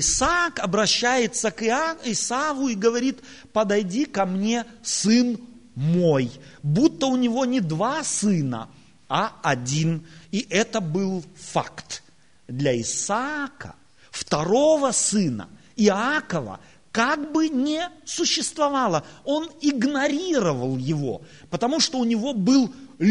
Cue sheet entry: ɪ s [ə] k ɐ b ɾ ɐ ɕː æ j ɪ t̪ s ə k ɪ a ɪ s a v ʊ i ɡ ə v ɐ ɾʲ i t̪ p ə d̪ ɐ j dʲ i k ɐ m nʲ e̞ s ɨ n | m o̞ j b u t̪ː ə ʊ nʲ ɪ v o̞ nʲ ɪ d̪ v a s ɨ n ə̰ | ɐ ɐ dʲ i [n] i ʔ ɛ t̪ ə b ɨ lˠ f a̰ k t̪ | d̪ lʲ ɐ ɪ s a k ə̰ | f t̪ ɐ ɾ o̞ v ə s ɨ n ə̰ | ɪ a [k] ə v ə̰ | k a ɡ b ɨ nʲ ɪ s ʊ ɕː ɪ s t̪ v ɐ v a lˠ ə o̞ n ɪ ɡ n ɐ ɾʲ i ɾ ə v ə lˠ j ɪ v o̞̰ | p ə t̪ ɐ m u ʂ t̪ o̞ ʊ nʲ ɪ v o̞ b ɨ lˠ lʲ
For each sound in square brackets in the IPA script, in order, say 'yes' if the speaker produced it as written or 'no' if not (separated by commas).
no, yes, yes